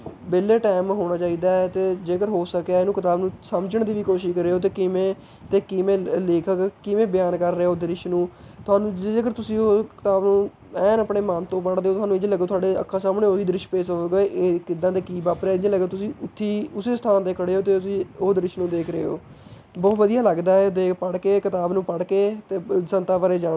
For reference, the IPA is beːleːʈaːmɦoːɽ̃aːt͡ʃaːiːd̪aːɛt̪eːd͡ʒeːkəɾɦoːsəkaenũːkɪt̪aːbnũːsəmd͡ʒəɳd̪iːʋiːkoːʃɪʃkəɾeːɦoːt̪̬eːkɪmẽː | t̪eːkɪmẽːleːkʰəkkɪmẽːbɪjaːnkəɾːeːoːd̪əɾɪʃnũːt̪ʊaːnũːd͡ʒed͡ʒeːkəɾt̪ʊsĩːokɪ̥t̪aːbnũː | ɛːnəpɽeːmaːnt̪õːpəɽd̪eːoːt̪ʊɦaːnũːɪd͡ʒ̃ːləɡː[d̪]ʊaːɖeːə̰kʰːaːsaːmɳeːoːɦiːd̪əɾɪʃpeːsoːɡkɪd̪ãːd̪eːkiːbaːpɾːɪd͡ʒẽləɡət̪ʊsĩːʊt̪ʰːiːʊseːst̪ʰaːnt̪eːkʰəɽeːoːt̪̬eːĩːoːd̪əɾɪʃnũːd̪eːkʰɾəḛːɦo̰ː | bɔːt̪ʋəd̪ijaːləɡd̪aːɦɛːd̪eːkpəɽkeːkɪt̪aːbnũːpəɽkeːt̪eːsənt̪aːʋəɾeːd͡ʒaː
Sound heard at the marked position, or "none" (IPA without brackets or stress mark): t̪